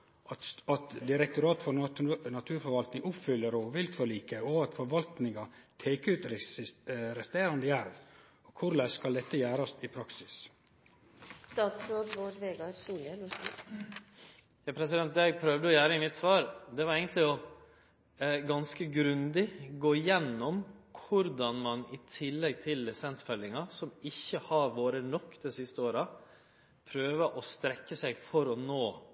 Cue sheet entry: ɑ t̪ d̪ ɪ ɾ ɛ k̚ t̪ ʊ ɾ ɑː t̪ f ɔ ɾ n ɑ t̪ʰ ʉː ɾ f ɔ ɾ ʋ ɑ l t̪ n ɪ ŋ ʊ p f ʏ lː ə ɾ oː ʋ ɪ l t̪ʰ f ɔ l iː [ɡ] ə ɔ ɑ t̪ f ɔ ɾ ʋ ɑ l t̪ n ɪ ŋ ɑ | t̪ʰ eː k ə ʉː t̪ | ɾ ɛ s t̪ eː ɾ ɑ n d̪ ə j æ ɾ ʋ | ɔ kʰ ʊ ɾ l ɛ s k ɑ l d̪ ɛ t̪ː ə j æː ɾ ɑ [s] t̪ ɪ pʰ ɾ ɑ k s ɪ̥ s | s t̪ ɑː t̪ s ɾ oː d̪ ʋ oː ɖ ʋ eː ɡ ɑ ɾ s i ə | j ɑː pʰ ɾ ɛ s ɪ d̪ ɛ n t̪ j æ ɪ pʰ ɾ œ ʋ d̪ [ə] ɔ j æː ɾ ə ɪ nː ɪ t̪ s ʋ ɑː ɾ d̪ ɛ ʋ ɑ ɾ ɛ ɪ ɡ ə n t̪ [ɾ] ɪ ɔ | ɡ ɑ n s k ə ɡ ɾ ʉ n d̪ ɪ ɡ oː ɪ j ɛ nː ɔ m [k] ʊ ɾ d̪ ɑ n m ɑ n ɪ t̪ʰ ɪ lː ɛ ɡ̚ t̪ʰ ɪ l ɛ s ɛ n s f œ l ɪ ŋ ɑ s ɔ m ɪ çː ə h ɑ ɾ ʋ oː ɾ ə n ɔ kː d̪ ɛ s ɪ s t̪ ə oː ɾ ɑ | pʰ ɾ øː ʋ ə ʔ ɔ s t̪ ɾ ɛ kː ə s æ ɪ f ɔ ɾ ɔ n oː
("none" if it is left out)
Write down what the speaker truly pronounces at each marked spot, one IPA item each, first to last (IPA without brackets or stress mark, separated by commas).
k, s, ə, l, kʰ